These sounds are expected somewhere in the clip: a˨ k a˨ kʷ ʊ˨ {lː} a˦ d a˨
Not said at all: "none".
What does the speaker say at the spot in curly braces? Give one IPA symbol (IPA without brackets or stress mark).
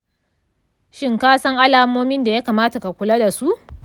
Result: l